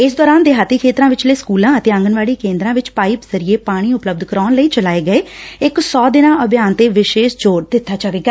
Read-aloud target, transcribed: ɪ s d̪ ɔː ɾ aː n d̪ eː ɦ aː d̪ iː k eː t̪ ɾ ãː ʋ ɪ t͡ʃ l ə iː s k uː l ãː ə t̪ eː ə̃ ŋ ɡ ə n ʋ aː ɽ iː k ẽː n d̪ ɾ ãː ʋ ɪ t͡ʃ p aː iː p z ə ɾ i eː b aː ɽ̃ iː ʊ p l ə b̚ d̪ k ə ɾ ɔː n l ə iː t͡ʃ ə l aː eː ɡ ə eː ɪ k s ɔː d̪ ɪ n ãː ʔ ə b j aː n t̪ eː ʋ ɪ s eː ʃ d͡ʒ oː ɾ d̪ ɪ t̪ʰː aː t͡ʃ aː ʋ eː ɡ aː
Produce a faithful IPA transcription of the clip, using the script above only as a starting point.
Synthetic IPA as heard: ɪ s d̪ ɔː ɾ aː n d̪ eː ɦ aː t̪ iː kʰ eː t̪ ɾ ãː ʋ ɪ t͡ʃ l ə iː s k uː l ãː ə t̪ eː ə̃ ŋ ɡ ə n ʋ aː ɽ iː k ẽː n d̪ ɾ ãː ʋ ɪ t͡ʃ p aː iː p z ə ɾ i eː p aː ɽ̃ iː ʊ p l ə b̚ d̪ k ə ɾ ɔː n l ə iː t͡ʃ ə l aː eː ɡ ə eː ɪ k s ɔː d̪ ɪ n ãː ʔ ə b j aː n t̪ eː ʋ ɪ ʃ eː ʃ d͡ʒ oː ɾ d̪ ɪ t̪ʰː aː t͡ʃ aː ʋ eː ɡ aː